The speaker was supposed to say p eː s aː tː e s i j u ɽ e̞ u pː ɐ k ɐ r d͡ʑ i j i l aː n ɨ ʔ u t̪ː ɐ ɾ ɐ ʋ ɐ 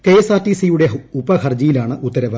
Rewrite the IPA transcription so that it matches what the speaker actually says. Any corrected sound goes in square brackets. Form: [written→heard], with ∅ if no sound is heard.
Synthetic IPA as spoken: [p→k] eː s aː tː [e→i] s i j u ɽ e̞ u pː ɐ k ɐ r d͡ʑ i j i l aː [n→ɳ] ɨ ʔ u t̪ː ɐ ɾ ɐ ʋ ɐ